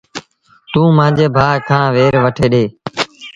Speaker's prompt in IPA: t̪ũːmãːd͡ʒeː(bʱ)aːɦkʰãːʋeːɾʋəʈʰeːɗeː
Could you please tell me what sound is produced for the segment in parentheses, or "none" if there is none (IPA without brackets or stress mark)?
bʱ